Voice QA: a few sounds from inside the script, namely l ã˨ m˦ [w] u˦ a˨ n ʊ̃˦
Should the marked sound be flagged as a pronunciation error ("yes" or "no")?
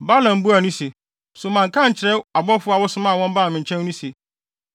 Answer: yes